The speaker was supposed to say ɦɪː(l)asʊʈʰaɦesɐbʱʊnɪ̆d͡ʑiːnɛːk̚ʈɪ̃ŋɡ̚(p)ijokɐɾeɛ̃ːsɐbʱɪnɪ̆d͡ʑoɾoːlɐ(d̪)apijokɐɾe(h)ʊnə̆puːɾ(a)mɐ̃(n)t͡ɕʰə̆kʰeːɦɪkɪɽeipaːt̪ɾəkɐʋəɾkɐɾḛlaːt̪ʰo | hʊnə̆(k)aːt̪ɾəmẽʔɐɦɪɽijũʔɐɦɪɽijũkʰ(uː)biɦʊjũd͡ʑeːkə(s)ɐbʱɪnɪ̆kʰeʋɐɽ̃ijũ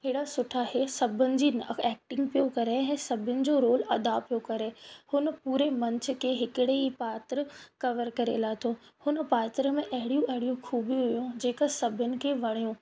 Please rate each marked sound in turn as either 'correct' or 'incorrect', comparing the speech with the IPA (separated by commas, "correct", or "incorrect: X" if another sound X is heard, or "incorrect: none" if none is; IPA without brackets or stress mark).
incorrect: ɽ, correct, correct, correct, incorrect: e, incorrect: ɲ, incorrect: p, correct, correct